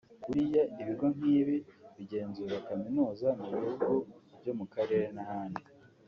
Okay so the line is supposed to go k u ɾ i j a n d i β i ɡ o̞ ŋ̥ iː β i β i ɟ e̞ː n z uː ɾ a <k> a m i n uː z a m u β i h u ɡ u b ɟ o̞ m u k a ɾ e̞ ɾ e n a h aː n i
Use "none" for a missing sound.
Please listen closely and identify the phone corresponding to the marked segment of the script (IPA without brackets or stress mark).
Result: k